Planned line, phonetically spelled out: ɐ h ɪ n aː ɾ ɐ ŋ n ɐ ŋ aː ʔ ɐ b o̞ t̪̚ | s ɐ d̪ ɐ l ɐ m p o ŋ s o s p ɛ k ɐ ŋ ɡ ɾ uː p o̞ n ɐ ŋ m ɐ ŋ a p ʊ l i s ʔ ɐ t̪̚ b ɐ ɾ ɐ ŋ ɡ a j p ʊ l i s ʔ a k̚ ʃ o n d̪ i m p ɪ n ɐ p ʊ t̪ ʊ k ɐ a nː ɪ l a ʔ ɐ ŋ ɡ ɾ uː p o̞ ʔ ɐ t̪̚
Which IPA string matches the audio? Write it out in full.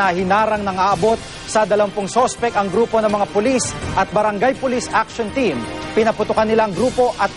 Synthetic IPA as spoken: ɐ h ɪ n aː ɾ ɐ ŋ n ɐ ŋ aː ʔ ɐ b o̞ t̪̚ | s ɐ d̪ ɐ l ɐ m p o ŋ s o s p ɛ k ɐ ŋ ɡ ɾ uː p o̞ n ɐ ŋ m ɐ ŋ a p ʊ l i s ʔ ɐ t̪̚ b ɐ ɾ ɐ ŋ ɡ a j p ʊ l i s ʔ a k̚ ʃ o n t̪ i m p ɪ n ɐ p ʊ t̪ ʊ k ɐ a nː ɪ l a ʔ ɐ ŋ ɡ ɾ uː p o̞ ʔ ɐ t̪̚